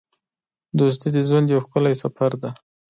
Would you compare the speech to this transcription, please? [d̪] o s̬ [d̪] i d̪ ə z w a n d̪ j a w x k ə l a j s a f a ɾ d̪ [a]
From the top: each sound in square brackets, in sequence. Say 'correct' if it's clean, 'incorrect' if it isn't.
correct, incorrect, correct

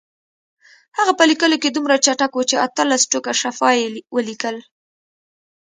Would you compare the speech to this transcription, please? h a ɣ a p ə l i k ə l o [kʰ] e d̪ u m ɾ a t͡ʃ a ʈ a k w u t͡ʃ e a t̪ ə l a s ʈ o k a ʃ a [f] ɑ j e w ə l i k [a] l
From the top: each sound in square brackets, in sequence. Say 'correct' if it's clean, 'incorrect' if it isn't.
incorrect, correct, incorrect

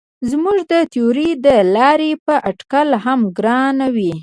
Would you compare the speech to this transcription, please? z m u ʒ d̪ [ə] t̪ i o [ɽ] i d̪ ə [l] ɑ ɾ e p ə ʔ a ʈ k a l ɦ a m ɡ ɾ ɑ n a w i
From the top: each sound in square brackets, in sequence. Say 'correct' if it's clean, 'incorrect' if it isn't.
correct, incorrect, correct

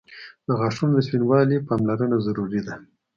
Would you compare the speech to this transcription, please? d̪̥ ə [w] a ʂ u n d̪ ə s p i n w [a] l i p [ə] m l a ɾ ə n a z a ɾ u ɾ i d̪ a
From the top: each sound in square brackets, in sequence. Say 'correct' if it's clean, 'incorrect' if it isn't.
incorrect, incorrect, incorrect

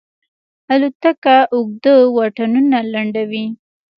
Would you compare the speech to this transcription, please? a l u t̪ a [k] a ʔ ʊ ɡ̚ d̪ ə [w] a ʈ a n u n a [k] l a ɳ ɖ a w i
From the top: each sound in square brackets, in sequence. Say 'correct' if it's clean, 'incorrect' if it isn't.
correct, correct, incorrect

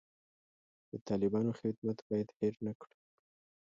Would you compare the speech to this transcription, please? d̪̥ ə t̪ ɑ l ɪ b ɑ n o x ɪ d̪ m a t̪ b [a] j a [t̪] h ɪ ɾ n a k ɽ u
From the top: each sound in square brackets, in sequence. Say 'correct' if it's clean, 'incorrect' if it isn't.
incorrect, incorrect

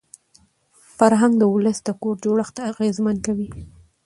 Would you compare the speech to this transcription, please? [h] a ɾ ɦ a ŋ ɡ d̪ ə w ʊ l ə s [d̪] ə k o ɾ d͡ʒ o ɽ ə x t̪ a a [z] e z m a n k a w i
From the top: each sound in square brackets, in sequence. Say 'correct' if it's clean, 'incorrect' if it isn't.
incorrect, correct, incorrect

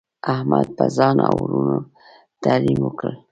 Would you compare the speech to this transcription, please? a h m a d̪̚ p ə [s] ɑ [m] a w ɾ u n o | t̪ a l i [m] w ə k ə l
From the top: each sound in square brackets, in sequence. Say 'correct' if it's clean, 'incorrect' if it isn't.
incorrect, incorrect, correct

